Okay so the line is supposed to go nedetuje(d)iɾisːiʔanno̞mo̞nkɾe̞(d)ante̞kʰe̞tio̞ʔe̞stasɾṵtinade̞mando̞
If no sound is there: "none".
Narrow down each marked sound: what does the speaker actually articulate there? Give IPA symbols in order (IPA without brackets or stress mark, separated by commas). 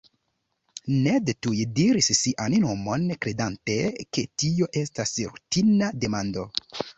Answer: d, d